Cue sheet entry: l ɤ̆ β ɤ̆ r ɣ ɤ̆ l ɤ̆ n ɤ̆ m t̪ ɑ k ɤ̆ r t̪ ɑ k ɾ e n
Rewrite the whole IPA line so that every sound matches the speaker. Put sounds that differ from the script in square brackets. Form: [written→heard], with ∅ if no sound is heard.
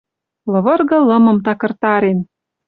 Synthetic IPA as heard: l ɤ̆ β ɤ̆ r ɣ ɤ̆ l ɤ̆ [n→m] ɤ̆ m t̪ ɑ k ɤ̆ r t̪ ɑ [k→∅] ɾ e n

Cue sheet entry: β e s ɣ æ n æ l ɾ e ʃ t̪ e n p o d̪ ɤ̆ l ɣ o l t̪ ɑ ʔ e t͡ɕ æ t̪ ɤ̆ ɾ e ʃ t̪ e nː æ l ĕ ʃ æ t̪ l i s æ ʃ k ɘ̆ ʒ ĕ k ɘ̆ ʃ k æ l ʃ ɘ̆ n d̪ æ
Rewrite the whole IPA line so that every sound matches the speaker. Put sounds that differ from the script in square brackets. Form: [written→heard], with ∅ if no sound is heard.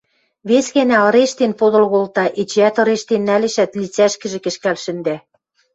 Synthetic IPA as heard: β e s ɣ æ n æ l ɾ e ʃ t̪ e n p o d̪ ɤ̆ l ɣ o l t̪ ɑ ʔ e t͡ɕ æ t̪ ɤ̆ ɾ e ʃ t̪ e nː æ l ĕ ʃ æ t̪ l i [s→t͡s] æ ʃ k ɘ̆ ʒ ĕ k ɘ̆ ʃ k æ l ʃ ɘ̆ n d̪ æ

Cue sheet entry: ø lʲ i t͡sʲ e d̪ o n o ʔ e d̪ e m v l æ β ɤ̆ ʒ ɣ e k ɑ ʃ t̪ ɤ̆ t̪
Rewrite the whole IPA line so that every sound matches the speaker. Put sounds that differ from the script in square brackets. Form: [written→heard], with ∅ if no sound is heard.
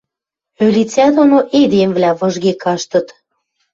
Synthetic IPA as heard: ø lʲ i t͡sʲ [e→æ] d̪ o n o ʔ e d̪ e m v l æ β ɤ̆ ʒ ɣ e k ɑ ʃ t̪ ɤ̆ t̪

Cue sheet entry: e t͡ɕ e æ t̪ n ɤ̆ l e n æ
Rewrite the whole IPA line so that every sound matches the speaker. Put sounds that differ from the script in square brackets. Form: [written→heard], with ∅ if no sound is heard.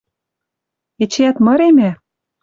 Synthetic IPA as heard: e t͡ɕ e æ t̪ [n→m] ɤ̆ [l→ɾ] e [n→m] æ

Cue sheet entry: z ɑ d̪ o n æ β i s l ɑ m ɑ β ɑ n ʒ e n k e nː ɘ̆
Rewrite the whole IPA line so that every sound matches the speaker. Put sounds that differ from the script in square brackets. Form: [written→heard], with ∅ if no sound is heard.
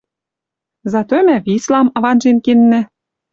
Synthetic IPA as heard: z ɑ [d̪→t̪] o [n→m] æ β i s l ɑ m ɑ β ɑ n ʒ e n k e nː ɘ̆

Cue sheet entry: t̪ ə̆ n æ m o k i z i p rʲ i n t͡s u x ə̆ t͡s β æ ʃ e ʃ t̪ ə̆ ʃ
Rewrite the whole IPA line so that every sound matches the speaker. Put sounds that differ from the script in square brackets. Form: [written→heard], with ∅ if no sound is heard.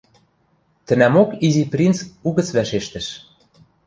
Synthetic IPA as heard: t̪ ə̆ n æ m o k i z i p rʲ i n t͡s u [x→ɣ] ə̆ t͡s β æ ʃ e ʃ t̪ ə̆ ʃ

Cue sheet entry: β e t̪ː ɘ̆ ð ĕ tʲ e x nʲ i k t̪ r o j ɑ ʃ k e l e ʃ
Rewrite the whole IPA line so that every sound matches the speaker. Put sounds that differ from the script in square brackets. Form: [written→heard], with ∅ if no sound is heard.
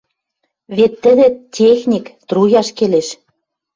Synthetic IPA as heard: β e t̪ː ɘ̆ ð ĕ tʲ e x nʲ i k t̪ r [o→u] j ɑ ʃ k e l e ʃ

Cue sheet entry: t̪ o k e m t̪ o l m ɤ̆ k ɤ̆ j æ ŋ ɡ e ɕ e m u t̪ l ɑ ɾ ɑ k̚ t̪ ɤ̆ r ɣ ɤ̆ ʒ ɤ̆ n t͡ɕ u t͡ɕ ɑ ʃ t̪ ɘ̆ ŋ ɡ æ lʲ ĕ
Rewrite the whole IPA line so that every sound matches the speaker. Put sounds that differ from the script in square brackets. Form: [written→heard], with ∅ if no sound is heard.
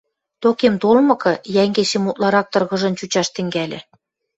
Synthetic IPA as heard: t̪ o k e m t̪ o l m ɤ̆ k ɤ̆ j æ ŋ ɡ e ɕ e m u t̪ l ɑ ɾ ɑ k̚ t̪ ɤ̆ r ɣ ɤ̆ ʒ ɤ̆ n t͡ɕ u t͡ɕ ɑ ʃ t̪ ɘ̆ ŋ ɡ æ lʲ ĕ

